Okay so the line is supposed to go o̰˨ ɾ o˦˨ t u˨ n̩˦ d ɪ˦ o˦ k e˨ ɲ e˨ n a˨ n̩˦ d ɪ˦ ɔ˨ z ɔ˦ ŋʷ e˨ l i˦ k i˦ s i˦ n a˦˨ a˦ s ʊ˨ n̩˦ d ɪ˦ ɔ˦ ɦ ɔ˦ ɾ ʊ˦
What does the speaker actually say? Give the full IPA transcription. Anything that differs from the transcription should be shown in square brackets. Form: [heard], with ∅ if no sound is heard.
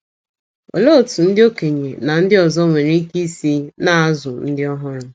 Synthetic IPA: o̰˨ [l] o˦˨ t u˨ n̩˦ d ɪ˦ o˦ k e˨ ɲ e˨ n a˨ n̩˦ d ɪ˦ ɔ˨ z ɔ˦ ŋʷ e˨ [ɾ] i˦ k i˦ s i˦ n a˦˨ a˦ [z] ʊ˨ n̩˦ d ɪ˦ ɔ˦ ɦ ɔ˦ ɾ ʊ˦